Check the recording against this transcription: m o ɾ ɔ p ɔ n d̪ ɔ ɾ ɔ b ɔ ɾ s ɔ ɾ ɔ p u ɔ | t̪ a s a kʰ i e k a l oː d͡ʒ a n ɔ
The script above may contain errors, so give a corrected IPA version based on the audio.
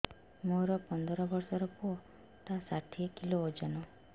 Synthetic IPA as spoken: m o ɾ ɔ p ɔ n d̪ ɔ ɾ ɔ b ɔ ɾ s ɔ ɾ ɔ p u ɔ | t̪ a s a ʈʰ i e k i l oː d͡ʒ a n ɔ